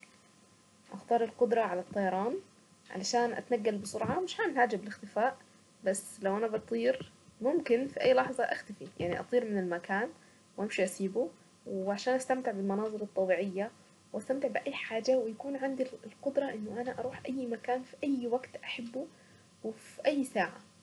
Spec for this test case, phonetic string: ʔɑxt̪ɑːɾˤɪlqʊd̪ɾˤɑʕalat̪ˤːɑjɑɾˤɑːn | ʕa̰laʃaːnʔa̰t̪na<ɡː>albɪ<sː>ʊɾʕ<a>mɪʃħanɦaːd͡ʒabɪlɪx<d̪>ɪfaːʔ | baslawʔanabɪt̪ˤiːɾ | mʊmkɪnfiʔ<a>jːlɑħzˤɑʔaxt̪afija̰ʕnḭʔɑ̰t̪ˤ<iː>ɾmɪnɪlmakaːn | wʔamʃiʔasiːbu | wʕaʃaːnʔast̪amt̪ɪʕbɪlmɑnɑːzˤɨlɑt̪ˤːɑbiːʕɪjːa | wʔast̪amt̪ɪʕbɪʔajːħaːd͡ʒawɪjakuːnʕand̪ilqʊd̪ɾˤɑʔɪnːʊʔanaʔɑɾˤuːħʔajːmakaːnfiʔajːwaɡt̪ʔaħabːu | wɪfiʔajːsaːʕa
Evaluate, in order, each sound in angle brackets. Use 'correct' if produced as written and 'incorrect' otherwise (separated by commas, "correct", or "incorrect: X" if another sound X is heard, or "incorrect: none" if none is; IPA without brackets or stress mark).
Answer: correct, incorrect: s, incorrect: ɑ, incorrect: t̪, correct, correct